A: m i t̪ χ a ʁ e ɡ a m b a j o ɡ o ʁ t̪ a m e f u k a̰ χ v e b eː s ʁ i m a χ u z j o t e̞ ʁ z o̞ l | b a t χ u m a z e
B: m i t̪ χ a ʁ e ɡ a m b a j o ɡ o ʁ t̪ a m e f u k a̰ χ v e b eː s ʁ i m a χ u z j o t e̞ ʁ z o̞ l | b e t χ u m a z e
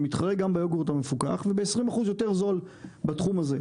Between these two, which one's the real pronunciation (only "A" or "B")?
A